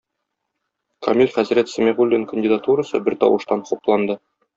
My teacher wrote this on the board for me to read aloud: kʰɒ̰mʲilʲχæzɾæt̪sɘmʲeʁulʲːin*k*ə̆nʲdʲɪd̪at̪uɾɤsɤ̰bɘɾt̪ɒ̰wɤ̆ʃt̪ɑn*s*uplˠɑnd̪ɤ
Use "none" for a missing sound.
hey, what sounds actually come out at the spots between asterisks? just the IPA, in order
k, χ

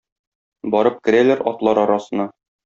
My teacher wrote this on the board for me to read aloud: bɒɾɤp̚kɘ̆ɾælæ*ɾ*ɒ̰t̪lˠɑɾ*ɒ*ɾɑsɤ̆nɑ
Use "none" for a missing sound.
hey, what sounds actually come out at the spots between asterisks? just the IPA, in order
ɾ, ɒ

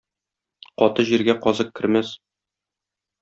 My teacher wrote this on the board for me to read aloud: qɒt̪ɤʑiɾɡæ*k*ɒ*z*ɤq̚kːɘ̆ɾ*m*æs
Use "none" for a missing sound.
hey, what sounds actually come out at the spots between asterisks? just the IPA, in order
q, z, m

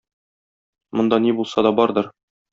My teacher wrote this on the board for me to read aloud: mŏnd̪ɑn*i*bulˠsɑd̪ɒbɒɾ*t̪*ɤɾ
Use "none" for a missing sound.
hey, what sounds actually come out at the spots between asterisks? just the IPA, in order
i, d̪

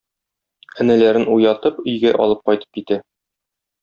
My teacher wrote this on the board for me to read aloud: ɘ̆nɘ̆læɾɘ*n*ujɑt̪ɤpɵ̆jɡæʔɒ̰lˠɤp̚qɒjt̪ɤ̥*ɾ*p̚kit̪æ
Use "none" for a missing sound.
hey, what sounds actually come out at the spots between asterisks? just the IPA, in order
n, none

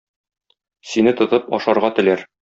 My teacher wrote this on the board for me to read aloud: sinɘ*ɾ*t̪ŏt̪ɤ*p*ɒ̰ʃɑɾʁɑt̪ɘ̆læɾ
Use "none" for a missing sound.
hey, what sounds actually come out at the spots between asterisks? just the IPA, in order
none, p

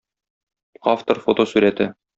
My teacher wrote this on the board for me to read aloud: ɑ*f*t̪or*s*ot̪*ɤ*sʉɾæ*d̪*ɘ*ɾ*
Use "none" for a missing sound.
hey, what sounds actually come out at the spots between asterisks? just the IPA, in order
f, f, o, t̪, none

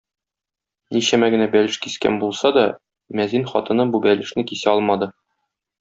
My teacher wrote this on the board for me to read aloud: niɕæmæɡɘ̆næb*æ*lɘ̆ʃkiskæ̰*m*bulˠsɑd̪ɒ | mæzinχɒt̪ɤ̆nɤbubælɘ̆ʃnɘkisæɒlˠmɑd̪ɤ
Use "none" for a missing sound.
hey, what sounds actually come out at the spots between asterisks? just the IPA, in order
æ, n

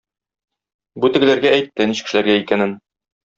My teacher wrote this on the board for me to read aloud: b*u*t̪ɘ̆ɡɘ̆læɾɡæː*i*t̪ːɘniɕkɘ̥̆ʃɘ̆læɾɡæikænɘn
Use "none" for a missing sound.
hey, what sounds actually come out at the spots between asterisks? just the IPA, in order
u, j

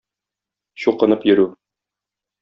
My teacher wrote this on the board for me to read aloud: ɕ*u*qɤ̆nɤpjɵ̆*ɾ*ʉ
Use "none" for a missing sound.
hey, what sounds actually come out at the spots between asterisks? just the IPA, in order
u, ɾ

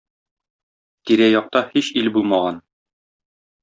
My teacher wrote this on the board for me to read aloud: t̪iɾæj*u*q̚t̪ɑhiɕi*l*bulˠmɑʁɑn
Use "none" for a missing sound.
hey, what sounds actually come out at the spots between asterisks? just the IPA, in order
ɒ, l

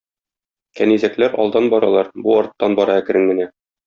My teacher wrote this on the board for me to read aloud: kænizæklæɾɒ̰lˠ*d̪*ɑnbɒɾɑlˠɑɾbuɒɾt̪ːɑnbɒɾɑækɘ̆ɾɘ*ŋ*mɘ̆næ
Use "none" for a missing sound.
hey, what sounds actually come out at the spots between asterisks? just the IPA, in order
d̪, ŋ

